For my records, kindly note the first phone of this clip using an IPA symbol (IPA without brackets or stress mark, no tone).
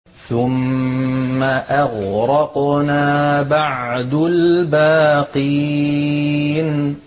θ